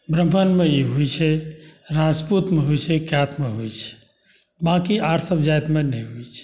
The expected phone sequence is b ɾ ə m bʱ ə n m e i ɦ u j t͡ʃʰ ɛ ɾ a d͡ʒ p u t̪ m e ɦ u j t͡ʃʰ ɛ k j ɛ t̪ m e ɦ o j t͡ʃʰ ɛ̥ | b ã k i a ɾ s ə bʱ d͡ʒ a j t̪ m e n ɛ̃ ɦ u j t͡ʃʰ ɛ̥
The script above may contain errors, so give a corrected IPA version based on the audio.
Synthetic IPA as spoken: b ɾ ə m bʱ ə n m e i ɦ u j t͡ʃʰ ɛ ɾ a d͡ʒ p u t̪ m e ɦ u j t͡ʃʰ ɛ k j a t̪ m e ɦ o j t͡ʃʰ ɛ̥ | b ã k i a ɾ s ə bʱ d͡ʒ a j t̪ m e n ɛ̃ ɦ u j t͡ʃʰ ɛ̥